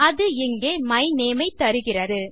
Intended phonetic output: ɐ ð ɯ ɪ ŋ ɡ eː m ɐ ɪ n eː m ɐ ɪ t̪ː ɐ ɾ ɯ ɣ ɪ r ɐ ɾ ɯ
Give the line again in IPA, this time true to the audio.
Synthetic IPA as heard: ɐ ð ɯ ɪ ŋ ɡ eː m ɐ ɪ n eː m ɐ ɪ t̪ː ɐ ɾ ɯ ɣ ɪ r ɐ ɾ ɯ

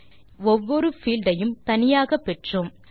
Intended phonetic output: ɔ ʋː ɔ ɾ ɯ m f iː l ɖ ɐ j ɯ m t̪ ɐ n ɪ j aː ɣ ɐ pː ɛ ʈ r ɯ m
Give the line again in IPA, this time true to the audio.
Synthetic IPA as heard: ɔ ʋː ɔ ɾ ɯ f iː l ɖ ɐ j ɯ m t̪ ɐ n ɪ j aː ɣ ɐ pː ɛ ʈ r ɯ m

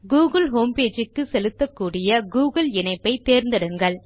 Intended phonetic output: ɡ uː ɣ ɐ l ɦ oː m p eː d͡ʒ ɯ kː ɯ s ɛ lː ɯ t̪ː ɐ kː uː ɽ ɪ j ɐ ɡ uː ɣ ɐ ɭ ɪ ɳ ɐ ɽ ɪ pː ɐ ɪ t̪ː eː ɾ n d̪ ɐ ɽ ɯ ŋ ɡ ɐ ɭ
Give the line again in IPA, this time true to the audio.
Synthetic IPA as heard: ɡ uː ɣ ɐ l ɦ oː m p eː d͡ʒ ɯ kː ɯ s ɛ l ɯ t̪ː ɐ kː uː ɽ ɪ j ɐ ɡ uː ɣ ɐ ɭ ɪ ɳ ɐ ɪ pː ɐ ɪ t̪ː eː ɾ n d̪ ɐ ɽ ɯ ŋ ɡ ɐ ɭ

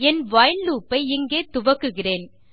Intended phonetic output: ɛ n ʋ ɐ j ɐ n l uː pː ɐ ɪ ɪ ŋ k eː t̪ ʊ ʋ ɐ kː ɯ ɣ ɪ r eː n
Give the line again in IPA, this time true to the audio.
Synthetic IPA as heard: ɛ n ʋ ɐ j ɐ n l uː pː ɐ ɪ ɪ ŋ ɡ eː t̪ ʊ ʋ ɐ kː ɯ ɣ ɪ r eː n

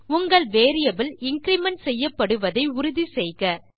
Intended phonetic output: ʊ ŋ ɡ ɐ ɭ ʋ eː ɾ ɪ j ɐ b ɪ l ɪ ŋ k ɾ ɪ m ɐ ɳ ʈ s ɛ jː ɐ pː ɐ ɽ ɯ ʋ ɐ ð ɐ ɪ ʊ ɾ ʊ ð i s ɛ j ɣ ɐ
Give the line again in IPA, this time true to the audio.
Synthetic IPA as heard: ʊ ŋ ɡ ɐ ɭ ʋ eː ɾ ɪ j ɐ b ɪ l ɪ ŋ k ɾ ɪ m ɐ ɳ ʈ s ɛ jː ɐ pː ɐ ɽ ɯ ʋ ɐ ð ɐ ɪ ʊ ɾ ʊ ð i s ɛ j ɣ ɐ

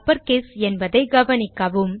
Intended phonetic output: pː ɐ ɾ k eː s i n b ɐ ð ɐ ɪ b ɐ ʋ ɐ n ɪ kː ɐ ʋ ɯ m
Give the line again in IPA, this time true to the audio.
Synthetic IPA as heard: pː ɐ ɾ k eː s ɛ n b ɐ ð ɐ ɪ ɡ ɐ ʋ ɐ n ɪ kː ɐ ʋ ɯ m

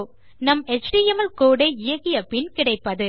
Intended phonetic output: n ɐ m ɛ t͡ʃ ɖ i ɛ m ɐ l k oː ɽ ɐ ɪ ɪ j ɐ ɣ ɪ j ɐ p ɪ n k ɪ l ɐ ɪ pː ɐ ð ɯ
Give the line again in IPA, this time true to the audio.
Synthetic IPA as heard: n ɐ m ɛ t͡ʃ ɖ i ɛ m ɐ l k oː ɽ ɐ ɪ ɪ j ɐ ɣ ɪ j ɐ p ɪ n k ɪ ɽ ɐ ɪ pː ɐ ð ɯ

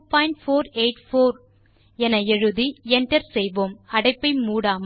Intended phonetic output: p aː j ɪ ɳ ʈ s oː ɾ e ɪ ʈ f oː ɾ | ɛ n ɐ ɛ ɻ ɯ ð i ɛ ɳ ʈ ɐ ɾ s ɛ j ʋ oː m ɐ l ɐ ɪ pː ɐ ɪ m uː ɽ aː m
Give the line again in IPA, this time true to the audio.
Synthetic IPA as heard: p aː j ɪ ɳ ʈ f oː ɾ e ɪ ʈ f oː ɾ | ɛ n ɐ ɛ ɻ ɯ ð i ɛ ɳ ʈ ɐ ɾ s ɛ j ʋ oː m ɐ ɽ ɐ ɪ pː ɐ ɪ m uː ɽ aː m

